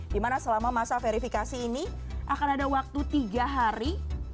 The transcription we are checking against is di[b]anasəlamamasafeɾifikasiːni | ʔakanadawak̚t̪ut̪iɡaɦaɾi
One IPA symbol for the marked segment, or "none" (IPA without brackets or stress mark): m